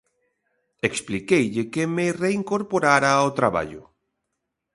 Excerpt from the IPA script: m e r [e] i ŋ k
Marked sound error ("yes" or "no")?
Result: no